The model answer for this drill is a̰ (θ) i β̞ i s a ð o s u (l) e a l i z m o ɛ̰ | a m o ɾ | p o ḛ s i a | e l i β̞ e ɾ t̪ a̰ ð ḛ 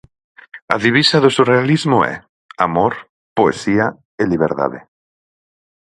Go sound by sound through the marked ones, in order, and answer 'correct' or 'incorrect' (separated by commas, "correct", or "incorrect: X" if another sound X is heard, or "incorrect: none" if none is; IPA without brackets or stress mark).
incorrect: ð, incorrect: r